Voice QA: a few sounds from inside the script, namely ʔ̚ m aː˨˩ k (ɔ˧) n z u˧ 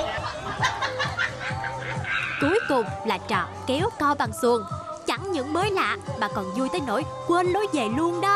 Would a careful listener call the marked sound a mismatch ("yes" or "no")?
yes